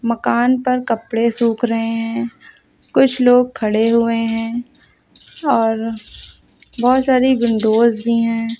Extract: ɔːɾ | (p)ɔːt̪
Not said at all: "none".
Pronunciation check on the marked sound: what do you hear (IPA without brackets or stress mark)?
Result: b